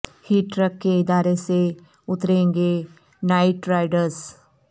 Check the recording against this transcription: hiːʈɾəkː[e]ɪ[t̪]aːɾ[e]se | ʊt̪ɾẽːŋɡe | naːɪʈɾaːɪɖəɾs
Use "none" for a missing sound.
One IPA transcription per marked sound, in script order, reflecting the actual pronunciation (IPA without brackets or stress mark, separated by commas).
e, d̪, e